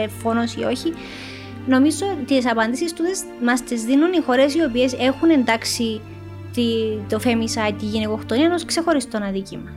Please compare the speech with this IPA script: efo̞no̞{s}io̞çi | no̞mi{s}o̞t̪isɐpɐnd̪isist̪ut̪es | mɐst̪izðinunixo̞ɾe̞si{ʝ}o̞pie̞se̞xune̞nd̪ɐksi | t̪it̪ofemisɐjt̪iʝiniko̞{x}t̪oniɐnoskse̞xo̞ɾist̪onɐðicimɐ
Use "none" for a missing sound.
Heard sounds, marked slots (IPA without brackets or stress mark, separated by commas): s, z, none, x